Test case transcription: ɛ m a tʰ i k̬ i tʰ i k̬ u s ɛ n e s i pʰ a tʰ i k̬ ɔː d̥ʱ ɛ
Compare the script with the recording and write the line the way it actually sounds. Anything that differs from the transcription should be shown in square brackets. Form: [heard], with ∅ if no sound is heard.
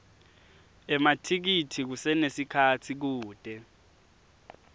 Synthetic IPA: ɛ m a tʰ i k̬ i tʰ i k̬ u s ɛ n e s i [kʰ] a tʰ i k̬ [uː] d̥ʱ ɛ